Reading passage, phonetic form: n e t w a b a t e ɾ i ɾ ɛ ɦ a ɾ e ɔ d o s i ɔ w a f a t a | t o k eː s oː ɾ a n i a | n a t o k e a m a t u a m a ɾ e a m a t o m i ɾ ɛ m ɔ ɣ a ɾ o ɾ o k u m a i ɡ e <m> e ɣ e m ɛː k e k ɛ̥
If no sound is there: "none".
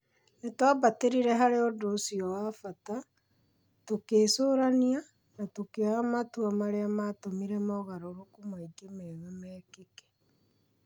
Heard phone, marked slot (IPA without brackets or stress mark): m